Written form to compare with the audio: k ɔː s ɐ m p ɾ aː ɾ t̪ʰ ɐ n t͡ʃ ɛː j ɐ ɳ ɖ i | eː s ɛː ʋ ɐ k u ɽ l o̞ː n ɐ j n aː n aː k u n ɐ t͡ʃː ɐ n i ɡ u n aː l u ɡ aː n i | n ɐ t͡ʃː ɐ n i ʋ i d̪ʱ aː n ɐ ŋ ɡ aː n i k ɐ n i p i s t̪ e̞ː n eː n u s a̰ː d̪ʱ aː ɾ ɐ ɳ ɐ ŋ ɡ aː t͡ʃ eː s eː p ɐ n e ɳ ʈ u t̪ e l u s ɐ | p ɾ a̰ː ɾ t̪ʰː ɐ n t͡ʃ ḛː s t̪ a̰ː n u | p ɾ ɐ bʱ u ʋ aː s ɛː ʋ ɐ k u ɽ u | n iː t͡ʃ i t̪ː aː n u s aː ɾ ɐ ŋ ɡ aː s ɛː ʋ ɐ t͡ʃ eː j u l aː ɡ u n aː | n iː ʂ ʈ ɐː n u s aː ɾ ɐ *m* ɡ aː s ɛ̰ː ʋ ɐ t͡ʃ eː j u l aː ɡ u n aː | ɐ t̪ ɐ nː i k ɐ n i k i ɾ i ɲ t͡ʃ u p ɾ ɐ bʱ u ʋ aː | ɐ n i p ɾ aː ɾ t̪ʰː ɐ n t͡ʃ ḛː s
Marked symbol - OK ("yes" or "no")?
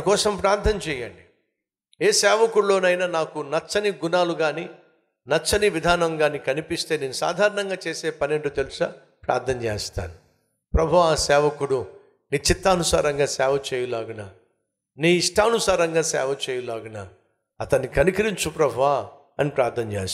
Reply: no